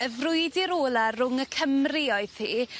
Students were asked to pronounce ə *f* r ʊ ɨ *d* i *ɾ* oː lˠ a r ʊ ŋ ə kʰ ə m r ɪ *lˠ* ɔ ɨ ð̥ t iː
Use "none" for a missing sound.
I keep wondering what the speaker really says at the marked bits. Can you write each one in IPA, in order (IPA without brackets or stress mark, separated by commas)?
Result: v, d, ɾ, none